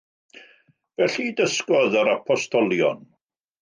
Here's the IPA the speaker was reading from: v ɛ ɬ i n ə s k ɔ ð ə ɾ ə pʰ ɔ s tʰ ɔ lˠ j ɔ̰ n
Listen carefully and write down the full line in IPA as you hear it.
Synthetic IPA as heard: v ɛ ɬ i d ə s k ɔ ð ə ɾ a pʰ ɔ s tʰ ɔ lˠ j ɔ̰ n